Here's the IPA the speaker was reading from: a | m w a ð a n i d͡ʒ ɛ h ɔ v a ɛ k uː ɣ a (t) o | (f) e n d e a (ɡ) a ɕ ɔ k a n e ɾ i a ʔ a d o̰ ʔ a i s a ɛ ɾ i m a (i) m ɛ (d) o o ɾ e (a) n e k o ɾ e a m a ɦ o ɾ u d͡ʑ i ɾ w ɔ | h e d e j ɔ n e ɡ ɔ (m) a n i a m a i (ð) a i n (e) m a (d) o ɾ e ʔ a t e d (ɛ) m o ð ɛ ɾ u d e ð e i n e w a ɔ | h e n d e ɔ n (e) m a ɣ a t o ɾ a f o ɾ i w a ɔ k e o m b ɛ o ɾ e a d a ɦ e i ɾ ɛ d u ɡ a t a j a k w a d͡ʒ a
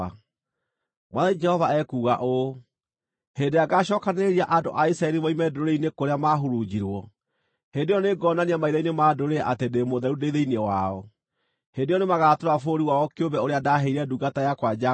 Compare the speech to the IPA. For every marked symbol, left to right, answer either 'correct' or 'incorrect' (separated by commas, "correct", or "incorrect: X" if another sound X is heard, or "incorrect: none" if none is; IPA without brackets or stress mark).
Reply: incorrect: ʔ, incorrect: h, correct, correct, correct, incorrect: i, incorrect: n, correct, correct, correct, incorrect: e, correct